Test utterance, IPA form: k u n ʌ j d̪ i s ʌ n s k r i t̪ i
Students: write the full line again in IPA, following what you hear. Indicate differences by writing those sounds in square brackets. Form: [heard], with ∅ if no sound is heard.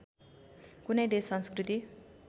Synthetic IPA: k u n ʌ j d̪ [e] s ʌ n s k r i t̪ i